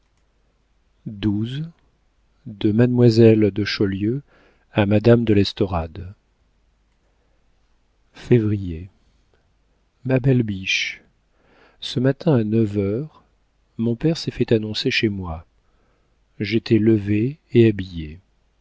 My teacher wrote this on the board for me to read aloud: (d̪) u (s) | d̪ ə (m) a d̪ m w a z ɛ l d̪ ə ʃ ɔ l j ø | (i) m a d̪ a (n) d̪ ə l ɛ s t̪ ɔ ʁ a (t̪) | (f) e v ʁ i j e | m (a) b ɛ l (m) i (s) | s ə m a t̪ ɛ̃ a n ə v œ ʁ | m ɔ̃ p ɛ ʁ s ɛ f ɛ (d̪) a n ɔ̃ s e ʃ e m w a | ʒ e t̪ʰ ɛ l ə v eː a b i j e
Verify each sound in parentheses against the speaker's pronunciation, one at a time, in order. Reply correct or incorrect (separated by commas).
correct, incorrect, correct, incorrect, incorrect, incorrect, correct, correct, incorrect, incorrect, incorrect